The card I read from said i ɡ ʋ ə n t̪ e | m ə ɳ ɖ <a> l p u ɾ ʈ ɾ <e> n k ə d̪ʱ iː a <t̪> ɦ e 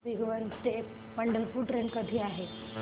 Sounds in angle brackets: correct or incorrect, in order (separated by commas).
incorrect, correct, incorrect